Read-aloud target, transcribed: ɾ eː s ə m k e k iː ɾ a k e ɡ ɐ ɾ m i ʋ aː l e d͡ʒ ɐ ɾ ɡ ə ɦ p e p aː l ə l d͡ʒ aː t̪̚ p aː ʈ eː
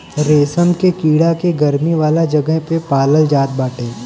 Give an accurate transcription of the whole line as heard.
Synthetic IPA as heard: ɾ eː s ə m k e k iː ɽ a k e ɡ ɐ ɾ m i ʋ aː l a d͡ʒ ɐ ɡ ə ɦ p e p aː l ə l d͡ʒ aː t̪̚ b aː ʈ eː

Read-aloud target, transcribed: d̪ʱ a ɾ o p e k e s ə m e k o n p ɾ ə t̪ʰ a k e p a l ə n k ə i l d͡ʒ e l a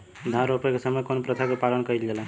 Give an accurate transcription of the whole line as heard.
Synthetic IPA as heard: d̪ʱ a ɾ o p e k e s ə m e k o n p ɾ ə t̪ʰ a k e p a l ə n k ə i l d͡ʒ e l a

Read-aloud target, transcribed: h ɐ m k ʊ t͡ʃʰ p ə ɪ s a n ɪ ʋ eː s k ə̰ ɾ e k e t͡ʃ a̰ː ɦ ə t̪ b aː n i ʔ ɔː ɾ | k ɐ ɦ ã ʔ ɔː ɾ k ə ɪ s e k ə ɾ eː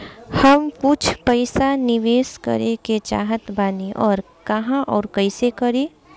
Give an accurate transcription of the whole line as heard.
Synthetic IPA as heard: h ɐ m k ʊ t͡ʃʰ p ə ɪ s a n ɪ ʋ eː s k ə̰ ɾ e k e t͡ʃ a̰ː ɦ ə t̪ b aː n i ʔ ɔː ɾ | k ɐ ɦ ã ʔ ɔː ɾ k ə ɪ s e k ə ɾ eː

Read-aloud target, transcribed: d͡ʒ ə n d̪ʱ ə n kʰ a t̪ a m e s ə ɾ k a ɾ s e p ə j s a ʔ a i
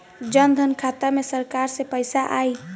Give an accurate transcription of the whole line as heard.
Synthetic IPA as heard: d͡ʒ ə n d̪ʱ ə n kʰ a t̪ a m e s ə ɾ k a ɾ s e p ə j s a ʔ a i

